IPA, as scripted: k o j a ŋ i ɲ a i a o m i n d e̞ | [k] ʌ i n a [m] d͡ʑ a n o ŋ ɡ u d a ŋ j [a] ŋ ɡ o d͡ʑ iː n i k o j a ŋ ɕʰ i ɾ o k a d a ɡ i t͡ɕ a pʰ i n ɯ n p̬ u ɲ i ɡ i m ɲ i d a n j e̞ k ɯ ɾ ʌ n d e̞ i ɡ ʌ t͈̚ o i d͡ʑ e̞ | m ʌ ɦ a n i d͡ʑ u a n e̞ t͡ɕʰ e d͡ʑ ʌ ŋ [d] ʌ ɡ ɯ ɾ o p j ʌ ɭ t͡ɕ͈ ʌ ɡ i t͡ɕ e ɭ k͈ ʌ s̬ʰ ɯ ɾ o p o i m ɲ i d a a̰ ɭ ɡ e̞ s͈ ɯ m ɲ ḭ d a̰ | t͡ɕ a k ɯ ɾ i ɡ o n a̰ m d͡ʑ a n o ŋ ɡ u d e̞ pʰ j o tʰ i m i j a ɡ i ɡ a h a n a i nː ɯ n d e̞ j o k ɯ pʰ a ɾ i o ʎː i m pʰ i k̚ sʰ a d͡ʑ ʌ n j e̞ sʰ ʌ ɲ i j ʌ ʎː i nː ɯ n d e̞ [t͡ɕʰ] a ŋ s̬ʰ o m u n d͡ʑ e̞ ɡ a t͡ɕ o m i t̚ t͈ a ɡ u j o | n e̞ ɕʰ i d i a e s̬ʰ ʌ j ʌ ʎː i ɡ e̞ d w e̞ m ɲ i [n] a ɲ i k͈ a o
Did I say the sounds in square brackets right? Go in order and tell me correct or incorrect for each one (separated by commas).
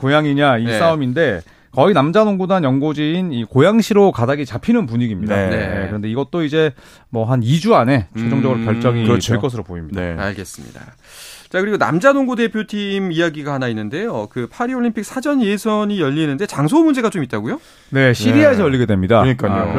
correct, correct, incorrect, incorrect, incorrect, incorrect